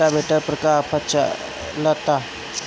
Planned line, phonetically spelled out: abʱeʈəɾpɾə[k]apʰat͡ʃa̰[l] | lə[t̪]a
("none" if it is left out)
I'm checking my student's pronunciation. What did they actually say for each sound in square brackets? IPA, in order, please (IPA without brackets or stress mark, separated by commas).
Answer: k, none, t̪